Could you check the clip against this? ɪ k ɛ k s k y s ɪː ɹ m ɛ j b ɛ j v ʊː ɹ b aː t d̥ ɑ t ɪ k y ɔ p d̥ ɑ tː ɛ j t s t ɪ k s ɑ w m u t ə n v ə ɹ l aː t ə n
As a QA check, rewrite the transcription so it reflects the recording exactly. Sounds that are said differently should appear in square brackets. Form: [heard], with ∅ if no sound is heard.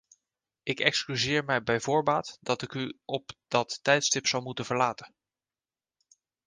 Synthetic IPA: ɪ k ɛ k s k y [z] ɪː ɹ m ɛ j b ɛ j v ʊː ɹ b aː t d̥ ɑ t ɪ k y ɔ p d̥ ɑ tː ɛ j t s t ɪ [p] s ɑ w m u t ə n v ə ɹ l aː t ə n